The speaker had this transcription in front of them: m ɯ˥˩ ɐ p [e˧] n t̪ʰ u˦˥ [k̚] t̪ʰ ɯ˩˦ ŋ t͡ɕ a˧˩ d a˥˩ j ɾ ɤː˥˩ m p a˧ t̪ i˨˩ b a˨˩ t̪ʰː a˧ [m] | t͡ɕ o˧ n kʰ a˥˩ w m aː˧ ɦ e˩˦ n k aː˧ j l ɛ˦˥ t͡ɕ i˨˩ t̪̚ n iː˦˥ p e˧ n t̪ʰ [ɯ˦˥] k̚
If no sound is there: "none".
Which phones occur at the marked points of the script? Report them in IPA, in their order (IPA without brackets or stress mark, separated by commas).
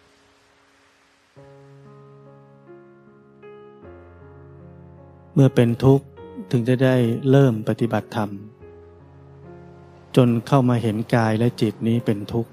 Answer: e˧, k̚, m, u˦˥